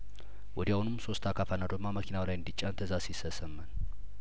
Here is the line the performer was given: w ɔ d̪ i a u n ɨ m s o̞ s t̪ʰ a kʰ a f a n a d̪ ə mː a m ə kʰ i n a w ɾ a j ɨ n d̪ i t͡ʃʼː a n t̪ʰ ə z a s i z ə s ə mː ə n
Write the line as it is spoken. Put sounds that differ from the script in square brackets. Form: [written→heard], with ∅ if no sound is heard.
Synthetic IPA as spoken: w ɔ d̪ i a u n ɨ m s o̞ s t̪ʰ a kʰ a f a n a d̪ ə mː a m ə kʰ i n a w [ɾ→l] a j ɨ n d̪ i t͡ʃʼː a n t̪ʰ ə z a s i [z→s] ə s ə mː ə n